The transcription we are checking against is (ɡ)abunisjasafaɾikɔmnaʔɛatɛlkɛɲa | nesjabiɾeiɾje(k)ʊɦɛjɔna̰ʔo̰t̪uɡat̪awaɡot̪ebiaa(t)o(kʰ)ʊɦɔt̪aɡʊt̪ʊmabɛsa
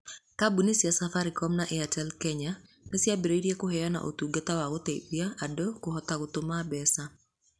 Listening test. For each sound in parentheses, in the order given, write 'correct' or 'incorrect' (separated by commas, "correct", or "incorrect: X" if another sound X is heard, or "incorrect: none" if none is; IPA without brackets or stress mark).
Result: incorrect: k, correct, incorrect: d, incorrect: k